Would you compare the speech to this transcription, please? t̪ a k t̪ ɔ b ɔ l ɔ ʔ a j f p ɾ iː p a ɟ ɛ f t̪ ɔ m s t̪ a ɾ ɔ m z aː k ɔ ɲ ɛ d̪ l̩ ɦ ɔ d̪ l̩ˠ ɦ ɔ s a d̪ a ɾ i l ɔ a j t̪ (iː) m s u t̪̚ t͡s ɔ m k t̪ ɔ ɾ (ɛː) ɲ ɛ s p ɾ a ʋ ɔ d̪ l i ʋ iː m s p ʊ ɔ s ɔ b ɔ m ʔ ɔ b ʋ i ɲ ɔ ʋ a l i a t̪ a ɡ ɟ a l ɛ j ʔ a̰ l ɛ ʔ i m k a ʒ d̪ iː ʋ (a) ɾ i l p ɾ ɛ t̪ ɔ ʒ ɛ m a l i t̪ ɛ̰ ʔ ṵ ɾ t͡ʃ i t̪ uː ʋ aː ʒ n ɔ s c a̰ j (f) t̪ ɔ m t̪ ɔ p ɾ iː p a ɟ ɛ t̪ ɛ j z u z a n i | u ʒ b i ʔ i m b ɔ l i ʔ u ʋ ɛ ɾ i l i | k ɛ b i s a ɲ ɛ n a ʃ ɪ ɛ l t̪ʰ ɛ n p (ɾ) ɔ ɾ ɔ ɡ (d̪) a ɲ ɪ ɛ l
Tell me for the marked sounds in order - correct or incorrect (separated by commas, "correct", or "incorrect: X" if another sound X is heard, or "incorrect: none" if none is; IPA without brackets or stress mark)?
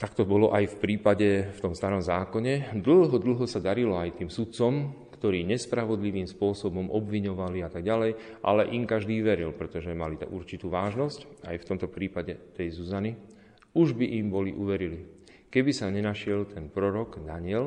correct, incorrect: iː, incorrect: ɛ, correct, correct, correct